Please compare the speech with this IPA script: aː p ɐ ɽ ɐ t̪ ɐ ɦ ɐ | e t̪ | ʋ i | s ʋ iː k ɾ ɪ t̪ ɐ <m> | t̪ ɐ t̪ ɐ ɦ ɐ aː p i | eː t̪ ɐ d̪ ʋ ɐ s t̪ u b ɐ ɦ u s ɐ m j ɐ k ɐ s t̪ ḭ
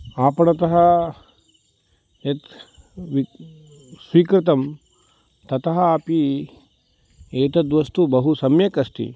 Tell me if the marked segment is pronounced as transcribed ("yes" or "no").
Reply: yes